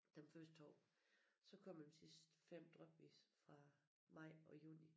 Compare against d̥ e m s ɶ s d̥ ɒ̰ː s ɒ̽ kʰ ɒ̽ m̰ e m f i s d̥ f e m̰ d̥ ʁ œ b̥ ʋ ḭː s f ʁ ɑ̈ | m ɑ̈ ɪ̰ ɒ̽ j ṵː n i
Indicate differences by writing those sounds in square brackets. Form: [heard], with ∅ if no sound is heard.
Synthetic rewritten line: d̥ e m [f] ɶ s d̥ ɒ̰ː s ɒ̽ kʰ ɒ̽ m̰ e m [s] i s d̥ f e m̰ d̥ ʁ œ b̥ ʋ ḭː s f ʁ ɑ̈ | m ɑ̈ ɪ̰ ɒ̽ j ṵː n i